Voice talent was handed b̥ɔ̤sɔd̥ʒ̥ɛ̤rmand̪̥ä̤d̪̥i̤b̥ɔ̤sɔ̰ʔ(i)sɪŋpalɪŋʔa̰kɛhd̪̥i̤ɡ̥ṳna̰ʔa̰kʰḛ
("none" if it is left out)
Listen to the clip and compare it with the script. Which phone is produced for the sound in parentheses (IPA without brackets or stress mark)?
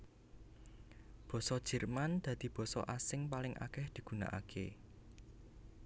a